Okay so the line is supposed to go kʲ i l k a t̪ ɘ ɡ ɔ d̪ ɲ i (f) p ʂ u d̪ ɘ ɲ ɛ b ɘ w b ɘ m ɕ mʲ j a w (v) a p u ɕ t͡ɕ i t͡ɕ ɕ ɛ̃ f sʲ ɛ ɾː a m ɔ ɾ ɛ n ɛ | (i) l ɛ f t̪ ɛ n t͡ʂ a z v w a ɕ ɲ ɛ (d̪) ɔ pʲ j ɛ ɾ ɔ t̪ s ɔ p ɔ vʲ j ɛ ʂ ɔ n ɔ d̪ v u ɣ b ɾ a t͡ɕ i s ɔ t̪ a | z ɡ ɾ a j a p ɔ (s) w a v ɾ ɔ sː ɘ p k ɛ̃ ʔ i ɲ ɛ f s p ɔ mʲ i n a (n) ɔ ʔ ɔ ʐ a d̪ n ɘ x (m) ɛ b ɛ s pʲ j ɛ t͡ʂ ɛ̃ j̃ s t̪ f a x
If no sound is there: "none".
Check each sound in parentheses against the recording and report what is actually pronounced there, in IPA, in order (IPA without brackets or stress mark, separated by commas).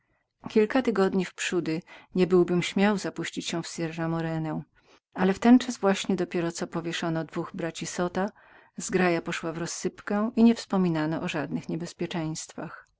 f, z, a, d̪, ʂ, n, ɲ